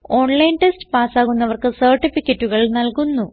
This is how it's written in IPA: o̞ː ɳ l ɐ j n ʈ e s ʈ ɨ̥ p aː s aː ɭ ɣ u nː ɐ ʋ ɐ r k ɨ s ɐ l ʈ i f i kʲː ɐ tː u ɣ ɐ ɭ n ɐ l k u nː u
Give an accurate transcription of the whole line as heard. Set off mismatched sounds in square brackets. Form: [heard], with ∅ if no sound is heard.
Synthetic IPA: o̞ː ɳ l ɐ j n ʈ e s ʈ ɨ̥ p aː s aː [∅] ɣ u nː ɐ ʋ ɐ r k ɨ s ɐ [r] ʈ i f i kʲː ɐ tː u ɣ ɐ ɭ n ɐ l k u nː u